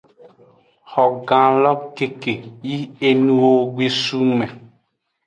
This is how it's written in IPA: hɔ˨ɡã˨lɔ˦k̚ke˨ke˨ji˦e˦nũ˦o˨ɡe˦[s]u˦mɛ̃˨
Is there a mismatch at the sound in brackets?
no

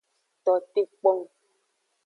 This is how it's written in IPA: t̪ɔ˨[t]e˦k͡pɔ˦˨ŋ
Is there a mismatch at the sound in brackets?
no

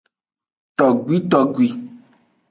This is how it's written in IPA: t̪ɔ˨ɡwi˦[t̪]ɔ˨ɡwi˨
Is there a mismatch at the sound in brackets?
no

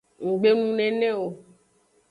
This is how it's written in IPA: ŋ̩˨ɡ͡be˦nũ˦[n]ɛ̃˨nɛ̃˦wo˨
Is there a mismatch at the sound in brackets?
no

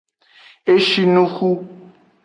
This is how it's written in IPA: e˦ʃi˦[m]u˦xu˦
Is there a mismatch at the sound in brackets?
yes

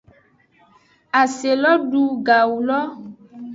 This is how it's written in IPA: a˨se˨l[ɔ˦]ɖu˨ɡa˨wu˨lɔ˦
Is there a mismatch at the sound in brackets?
no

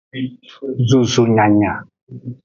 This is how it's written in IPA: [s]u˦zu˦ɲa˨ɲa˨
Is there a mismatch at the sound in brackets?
yes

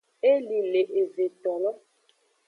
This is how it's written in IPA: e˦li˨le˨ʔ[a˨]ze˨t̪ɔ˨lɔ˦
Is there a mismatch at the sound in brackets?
yes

